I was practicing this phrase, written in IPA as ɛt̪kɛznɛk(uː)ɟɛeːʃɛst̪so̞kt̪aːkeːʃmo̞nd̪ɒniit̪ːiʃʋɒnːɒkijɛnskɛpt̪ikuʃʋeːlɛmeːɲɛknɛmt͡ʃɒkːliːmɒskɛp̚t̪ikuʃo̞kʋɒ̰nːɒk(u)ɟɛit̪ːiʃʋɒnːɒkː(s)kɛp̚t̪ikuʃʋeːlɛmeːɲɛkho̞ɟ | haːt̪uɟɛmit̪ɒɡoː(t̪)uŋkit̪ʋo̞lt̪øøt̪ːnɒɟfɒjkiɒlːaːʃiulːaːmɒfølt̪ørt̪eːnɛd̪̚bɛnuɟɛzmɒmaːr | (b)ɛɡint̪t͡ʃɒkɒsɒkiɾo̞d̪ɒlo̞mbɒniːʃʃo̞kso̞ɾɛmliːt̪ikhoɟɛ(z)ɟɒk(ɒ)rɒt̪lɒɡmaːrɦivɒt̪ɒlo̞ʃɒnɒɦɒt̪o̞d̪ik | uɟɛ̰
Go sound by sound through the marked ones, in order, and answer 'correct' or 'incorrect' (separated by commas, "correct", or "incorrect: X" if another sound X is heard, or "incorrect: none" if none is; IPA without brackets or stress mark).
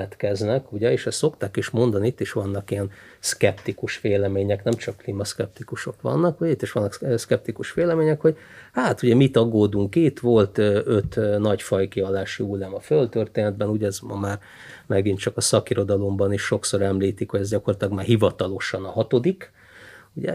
incorrect: u, correct, correct, incorrect: d̪, incorrect: m, correct, incorrect: o